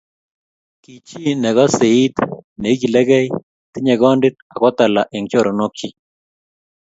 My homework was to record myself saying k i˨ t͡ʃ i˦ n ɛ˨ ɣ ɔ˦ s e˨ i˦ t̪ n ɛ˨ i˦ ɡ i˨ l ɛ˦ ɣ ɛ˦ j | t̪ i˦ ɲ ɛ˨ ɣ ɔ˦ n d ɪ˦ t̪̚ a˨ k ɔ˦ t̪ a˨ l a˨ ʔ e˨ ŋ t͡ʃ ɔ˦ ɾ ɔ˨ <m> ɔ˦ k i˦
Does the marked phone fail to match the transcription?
yes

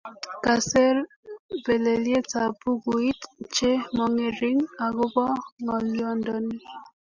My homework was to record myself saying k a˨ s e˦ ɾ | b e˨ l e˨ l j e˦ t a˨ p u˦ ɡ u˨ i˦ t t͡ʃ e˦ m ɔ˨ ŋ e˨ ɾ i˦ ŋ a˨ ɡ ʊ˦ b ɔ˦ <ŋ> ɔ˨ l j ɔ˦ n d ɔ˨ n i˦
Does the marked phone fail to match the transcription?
no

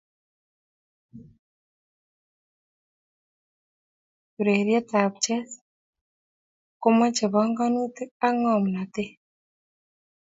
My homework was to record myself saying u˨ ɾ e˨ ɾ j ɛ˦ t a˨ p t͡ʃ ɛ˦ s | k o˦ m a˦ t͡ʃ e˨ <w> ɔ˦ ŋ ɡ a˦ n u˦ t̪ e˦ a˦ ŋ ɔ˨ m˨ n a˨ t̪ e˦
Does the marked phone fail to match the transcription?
yes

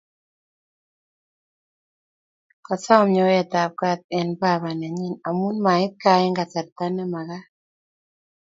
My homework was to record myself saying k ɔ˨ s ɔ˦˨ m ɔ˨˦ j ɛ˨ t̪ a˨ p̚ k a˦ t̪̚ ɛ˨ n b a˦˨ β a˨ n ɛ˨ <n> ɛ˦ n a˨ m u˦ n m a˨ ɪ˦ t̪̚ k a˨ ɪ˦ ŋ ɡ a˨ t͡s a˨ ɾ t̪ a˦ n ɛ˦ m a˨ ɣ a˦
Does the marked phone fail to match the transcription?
yes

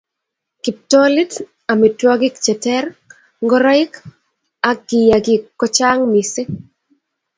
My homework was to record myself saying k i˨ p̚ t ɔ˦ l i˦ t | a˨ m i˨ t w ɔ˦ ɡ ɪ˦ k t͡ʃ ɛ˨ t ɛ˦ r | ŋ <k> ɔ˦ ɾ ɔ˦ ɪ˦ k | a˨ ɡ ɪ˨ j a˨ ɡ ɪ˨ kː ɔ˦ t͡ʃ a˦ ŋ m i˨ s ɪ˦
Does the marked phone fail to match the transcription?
yes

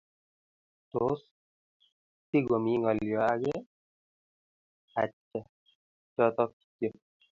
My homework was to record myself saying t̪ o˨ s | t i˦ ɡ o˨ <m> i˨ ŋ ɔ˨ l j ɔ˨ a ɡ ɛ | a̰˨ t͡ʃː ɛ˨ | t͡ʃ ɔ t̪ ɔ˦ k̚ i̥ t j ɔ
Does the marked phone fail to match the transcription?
no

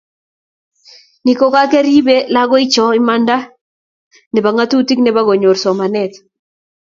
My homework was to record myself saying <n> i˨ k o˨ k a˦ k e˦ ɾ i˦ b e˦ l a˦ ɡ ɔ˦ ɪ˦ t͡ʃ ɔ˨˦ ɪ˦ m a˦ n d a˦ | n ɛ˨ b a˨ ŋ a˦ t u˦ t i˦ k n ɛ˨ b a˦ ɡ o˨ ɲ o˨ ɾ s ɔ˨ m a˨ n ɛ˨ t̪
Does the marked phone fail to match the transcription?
no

